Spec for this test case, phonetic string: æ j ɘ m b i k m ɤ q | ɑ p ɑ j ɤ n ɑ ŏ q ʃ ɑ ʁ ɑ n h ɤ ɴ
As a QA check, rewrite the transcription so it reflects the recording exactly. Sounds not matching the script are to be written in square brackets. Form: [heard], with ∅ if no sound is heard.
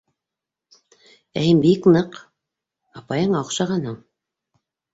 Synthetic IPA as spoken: æ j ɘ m b i k [n] ɤ q | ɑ p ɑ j ɤ [ɴ] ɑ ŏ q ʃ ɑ ʁ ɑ n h ɤ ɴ